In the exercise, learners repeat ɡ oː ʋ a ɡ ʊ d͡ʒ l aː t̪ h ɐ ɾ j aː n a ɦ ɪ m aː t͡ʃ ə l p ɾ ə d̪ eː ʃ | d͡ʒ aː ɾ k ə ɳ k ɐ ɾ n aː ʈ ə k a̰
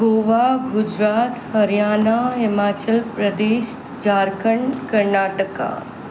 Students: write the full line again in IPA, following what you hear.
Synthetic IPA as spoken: ɡ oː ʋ a ɡ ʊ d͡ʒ ɾ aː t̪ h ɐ ɾ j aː n a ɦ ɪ m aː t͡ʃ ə l p ɾ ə d̪ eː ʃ | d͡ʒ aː ɾ k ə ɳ k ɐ ɾ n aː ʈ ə k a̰